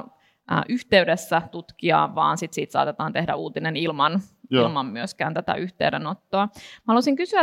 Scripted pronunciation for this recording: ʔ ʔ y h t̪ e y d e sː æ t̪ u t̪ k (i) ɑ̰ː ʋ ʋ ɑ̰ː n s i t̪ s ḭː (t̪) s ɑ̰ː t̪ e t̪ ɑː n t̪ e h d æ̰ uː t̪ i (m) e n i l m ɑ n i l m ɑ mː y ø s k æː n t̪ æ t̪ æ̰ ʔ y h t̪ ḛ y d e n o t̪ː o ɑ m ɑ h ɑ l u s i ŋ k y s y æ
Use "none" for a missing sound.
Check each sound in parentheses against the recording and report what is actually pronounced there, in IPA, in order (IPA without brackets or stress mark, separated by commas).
i, t̪, n